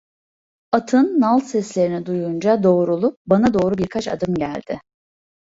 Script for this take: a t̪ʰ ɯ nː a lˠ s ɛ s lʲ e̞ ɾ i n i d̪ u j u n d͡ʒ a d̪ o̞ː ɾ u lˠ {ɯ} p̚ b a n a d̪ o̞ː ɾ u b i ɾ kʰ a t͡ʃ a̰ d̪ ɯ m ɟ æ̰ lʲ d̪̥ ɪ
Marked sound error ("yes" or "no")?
yes